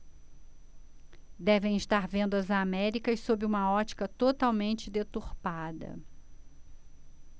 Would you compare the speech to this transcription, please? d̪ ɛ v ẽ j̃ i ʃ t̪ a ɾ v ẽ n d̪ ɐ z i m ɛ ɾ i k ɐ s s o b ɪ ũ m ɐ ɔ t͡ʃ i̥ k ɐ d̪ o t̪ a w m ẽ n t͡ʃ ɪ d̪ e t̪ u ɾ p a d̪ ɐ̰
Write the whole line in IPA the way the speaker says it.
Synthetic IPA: d̪ ɛ v ẽ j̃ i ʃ t̪ a ɾ v ẽ n d̪ ɐ z a m ɛ ɾ i k ɐ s s o b ɪ ũ m ɐ ɔ t͡ʃ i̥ k ɐ t̪ o t̪ a w m ẽ n t͡ʃ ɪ d̪ e t̪ u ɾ p a d̪ ɐ̰